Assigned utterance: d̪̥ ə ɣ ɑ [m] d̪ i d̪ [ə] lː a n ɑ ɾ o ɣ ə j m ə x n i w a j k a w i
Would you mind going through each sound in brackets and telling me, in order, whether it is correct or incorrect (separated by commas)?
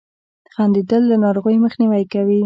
incorrect, correct